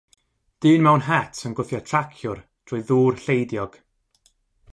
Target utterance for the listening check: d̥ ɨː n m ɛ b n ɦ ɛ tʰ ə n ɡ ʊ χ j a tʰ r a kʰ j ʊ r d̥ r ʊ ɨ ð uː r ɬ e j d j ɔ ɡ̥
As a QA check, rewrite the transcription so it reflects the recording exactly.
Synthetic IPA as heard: d̥ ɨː n m ɛ w n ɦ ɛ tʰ ə n ɡ ʊ θ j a tʰ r a kʰ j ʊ r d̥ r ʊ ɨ ð uː r ɬ e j d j ɔ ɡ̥